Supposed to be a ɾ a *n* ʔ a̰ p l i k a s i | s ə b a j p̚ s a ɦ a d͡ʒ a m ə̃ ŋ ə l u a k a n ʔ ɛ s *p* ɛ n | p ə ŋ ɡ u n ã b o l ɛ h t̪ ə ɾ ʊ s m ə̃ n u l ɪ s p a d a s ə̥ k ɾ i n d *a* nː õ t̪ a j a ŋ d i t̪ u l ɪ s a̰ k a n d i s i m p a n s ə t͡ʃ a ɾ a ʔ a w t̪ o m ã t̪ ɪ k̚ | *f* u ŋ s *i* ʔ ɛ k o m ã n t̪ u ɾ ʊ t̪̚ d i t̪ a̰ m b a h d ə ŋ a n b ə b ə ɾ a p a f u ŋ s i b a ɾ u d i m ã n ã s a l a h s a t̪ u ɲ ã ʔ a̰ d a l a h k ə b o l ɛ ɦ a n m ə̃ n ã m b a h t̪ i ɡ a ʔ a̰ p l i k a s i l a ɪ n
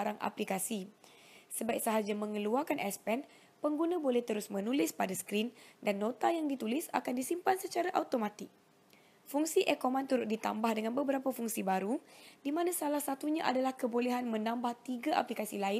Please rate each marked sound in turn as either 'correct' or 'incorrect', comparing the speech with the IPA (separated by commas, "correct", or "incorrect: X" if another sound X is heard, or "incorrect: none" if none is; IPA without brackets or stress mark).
incorrect: ŋ, correct, correct, correct, correct